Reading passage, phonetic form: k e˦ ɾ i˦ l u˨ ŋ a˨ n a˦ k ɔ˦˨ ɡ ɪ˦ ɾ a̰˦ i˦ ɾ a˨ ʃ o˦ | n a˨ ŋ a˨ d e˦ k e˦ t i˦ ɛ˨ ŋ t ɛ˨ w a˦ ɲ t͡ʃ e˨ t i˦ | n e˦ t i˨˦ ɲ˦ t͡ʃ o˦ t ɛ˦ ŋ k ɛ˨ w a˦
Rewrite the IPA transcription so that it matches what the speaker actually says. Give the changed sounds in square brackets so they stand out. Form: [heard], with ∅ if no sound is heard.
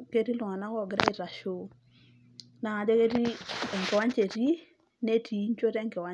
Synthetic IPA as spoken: k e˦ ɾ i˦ l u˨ ŋ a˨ n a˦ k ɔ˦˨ ɡ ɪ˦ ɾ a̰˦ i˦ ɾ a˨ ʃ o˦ | n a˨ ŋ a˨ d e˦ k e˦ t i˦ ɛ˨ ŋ [k] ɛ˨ w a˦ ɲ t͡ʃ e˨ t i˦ | n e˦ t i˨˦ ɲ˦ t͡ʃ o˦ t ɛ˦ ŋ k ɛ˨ w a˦